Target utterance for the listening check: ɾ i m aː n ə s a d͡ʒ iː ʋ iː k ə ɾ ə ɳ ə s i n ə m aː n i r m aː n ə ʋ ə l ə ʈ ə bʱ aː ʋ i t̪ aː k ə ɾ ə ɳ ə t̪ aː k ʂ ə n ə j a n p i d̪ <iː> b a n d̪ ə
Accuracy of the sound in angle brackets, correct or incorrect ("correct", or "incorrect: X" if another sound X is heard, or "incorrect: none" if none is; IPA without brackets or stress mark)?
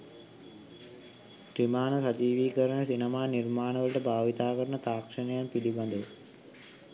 incorrect: i